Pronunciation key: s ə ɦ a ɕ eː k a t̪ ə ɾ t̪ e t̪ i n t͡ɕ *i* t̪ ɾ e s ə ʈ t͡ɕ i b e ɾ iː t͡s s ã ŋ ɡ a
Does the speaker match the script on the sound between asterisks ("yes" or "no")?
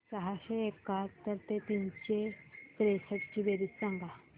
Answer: no